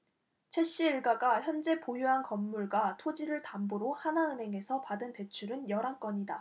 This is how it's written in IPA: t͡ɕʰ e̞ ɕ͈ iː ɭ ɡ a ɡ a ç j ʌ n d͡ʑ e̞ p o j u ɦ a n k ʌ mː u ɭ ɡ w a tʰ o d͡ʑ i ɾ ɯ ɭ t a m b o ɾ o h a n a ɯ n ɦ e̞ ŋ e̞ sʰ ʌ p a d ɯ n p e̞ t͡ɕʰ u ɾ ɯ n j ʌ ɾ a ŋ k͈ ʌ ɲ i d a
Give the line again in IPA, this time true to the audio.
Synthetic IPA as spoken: t͡ɕʰ e̞ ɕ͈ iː ɭ ɡ a ɡ a ç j ʌ n d͡ʑ e̞ p o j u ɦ a n k ʌ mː u ɭ ɡ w a tʰ o d͡ʑ i ɾ ɯ ɭ t a m b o ɾ o h a n a ɯ n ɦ e̞ ŋ e̞ sʰ ʌ p a d ɯ n t e̞ t͡ɕʰ u ɾ ɯ n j ʌ ɾ a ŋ k͈ ʌ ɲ i d a